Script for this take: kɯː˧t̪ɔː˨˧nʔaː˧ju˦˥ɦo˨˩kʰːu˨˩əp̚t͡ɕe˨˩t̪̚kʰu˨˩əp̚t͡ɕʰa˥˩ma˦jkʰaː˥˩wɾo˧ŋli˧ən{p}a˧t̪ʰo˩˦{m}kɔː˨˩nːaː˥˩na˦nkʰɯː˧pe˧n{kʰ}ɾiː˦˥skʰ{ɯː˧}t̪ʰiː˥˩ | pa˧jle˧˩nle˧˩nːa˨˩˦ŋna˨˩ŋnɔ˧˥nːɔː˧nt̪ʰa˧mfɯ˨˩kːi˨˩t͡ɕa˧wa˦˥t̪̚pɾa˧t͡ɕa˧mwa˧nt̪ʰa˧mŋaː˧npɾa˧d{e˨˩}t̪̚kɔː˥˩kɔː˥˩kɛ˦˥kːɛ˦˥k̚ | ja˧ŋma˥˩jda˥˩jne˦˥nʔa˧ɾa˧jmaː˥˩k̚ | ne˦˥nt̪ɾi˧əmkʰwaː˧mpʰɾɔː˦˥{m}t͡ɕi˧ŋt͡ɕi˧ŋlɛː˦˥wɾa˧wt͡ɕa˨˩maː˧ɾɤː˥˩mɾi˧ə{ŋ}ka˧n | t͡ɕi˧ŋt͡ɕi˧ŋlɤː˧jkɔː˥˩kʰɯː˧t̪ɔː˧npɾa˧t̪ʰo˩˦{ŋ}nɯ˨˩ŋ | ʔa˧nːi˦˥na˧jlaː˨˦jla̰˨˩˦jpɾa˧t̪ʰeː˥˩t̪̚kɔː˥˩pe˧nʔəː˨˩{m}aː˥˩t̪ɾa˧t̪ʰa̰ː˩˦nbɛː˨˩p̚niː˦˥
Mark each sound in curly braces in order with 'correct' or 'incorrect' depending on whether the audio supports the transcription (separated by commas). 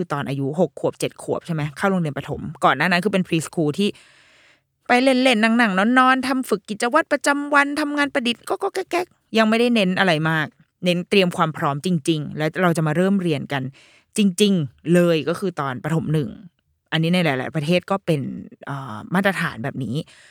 correct, correct, incorrect, incorrect, incorrect, correct, incorrect, incorrect, correct